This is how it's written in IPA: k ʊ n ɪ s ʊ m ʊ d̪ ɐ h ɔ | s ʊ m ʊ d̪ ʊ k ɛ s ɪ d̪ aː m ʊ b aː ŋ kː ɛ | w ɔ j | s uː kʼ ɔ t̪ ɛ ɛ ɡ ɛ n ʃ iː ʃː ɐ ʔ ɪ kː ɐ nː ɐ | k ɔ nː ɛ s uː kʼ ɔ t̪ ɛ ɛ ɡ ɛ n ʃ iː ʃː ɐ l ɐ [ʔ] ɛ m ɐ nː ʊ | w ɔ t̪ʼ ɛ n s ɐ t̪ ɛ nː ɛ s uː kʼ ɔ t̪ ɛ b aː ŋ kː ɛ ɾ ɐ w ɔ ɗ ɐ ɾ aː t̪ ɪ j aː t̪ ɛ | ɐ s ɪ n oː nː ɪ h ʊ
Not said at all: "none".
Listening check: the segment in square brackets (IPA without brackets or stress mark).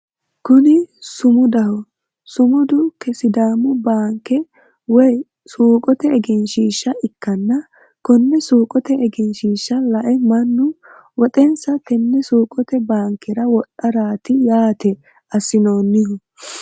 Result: ʔ